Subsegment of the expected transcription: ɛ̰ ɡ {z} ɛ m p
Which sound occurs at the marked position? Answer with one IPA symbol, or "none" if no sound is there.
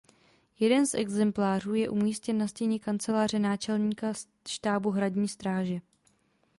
z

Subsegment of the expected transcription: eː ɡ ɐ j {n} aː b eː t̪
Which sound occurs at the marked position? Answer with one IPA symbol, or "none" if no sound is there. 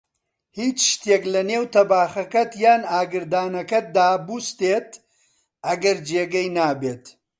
n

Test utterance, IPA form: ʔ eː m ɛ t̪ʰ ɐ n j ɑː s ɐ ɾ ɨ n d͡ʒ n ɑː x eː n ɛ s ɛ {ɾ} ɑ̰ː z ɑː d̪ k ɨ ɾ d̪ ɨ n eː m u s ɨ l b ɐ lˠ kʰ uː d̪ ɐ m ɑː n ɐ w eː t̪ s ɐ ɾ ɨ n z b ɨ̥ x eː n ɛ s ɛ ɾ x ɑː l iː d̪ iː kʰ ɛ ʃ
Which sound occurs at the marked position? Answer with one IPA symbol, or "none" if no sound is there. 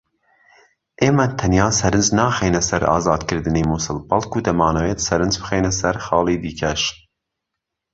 ɾ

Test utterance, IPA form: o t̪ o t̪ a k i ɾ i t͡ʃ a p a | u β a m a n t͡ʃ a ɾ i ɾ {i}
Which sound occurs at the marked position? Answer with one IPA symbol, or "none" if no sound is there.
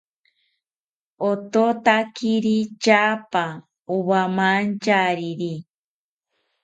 i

